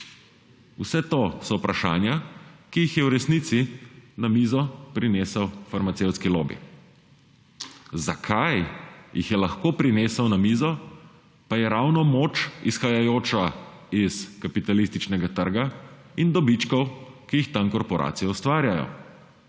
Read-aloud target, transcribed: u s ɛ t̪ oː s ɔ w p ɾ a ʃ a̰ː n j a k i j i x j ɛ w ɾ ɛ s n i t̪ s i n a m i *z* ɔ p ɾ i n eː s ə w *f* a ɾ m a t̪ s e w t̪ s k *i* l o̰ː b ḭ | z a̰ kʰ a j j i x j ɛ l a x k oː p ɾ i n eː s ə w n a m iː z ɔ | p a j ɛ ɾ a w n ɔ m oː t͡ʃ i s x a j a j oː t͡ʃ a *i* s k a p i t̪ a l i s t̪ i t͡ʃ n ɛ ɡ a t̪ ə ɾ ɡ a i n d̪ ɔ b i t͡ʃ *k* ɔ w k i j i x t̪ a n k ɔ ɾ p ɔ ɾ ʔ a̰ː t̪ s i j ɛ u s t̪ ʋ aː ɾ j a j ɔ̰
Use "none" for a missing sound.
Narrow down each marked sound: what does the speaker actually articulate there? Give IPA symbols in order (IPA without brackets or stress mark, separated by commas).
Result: z, f, i, i, k